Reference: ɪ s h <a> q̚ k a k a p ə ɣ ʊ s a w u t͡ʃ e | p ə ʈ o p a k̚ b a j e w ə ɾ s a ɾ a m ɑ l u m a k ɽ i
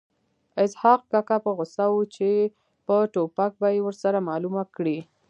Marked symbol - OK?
no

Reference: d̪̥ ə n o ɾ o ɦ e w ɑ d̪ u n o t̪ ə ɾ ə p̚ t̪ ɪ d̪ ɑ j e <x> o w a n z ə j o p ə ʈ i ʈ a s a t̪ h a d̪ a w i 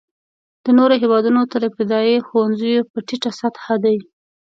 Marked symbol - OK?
yes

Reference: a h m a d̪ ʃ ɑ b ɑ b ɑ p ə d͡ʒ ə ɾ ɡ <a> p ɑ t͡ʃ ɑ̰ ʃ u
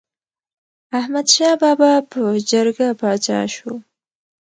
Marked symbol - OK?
yes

